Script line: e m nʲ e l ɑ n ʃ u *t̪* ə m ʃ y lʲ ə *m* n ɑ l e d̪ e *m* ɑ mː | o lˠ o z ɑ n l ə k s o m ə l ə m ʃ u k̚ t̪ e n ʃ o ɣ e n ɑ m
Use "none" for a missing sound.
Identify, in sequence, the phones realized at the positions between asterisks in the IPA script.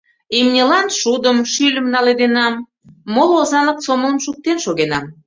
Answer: d̪, m, n

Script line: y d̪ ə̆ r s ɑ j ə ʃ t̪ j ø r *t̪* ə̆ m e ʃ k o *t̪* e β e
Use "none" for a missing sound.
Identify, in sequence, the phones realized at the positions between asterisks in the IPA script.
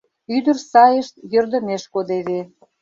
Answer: d̪, d̪

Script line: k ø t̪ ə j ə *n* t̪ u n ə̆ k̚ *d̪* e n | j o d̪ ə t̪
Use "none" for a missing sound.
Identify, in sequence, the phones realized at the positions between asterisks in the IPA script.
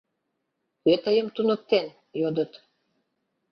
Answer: m, t̪

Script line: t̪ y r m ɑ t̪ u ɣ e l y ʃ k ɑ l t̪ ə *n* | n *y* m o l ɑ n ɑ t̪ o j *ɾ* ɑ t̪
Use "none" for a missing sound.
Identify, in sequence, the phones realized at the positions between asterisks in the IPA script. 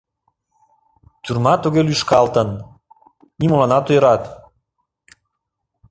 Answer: n, i, ɾ

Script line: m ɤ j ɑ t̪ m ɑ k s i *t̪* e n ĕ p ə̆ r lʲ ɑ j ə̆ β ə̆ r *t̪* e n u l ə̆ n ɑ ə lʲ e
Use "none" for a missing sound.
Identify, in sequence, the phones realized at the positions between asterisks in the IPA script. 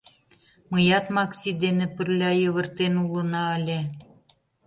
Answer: d̪, t̪

